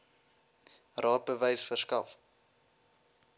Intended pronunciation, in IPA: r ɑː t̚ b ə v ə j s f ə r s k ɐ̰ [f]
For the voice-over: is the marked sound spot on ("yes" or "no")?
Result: yes